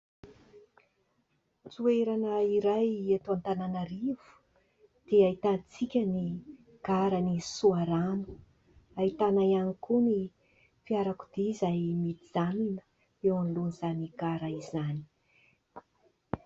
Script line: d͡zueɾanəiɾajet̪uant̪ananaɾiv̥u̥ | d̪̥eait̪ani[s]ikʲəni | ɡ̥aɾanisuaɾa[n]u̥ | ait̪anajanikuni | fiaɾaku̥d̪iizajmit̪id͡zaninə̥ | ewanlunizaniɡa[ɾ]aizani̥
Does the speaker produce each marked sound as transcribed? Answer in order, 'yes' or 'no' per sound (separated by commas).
no, yes, yes